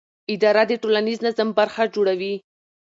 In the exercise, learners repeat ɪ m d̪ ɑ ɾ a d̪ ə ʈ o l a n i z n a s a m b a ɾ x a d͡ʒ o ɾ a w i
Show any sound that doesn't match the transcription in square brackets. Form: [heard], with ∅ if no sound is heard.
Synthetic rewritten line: ɪ [∅] d̪ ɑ ɾ a d̪ ə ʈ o l a n i z n a [z] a m b a ɾ x a d͡ʒ o [ɽ] a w i